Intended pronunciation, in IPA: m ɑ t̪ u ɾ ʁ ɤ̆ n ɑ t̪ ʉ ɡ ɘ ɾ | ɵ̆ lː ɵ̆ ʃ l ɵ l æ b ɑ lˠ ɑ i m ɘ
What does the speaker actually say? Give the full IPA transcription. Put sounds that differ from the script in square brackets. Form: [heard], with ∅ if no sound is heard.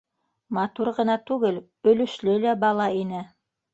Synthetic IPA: m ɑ t̪ u ɾ ʁ ɤ̆ n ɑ t̪ ʉ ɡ ɘ [l] | ɵ̆ [l] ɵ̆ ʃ l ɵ l æ b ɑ lˠ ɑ i [n] ɘ